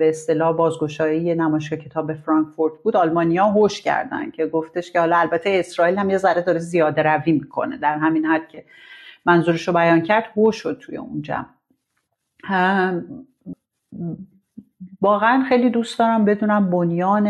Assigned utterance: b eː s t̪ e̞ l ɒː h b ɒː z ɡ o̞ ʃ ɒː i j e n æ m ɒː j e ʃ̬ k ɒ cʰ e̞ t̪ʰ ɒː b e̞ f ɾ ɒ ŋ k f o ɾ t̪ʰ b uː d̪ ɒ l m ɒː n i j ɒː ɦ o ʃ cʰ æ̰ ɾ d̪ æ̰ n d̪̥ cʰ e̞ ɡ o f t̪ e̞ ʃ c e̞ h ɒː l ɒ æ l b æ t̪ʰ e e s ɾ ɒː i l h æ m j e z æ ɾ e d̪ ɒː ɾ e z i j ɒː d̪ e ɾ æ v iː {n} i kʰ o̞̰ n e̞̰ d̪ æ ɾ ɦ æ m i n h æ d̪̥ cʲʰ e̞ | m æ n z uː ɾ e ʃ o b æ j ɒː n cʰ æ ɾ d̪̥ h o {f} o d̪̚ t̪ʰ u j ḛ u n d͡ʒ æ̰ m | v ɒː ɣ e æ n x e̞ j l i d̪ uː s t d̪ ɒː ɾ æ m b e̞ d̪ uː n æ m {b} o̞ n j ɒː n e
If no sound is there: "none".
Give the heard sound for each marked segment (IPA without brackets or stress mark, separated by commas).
m, ʃ, b